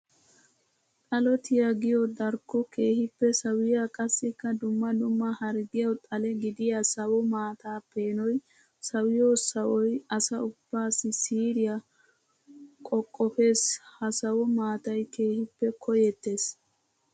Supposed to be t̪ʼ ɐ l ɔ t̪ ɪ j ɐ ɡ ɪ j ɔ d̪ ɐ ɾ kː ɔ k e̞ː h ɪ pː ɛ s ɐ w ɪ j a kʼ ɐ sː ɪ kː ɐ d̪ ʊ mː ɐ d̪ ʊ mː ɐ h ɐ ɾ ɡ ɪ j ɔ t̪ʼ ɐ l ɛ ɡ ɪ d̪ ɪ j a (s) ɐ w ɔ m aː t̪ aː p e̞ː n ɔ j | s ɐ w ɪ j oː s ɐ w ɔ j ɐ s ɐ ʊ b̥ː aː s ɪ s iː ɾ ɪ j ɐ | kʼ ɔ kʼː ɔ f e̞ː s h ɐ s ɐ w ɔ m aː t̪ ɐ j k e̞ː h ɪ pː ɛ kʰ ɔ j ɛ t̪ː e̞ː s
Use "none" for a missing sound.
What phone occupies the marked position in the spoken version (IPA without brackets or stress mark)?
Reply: s